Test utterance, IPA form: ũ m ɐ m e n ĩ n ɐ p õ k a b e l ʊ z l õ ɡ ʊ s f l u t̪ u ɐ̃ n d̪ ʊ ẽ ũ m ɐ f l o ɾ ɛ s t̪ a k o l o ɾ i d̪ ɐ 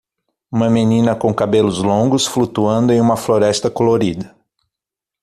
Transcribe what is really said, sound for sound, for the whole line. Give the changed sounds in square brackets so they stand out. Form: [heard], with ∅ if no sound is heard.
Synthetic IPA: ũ m ɐ m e n ĩ n ɐ [k] õ k a b e l ʊ z l õ ɡ ʊ s f l u t̪ u ɐ̃ n d̪ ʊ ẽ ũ m ɐ f l o ɾ ɛ s t̪ [ɐ] k o l o ɾ i d̪ ɐ